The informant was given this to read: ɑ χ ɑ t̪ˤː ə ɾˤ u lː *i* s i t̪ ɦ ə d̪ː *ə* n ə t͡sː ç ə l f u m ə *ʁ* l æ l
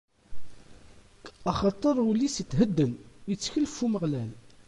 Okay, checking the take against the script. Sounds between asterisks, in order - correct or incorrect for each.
correct, correct, correct

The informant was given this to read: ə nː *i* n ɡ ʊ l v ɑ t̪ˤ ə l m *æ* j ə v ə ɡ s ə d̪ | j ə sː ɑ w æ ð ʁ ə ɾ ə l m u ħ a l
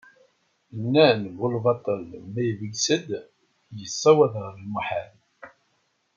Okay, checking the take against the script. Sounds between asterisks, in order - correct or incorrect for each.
incorrect: æ, correct

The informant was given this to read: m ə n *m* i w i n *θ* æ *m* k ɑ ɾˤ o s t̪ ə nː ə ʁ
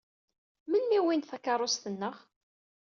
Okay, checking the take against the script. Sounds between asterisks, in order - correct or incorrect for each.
correct, correct, incorrect: none

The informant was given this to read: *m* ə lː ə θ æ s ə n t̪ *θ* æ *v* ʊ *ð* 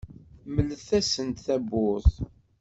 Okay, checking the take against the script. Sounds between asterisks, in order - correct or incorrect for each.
correct, correct, incorrect: b, incorrect: θ

